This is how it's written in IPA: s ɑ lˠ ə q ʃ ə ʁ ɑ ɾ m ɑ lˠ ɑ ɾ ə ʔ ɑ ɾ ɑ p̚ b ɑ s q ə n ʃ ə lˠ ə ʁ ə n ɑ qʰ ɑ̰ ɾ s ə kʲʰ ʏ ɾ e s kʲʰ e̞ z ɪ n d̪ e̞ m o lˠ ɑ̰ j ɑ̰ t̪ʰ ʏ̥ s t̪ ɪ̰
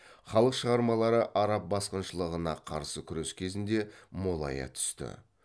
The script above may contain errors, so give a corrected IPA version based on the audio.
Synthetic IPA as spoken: χ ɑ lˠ ə q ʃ ə ʁ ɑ ɾ m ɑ lˠ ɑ ɾ ə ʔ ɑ ɾ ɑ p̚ b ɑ s q ə n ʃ ə lˠ ə ʁ ə n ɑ qʰ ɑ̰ ɾ s ə kʲʰ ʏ ɾ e s kʲʰ e̞ z ɪ n d̪ e̞ m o lˠ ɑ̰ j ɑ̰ t̪ʰ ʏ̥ s t̪ ɪ̰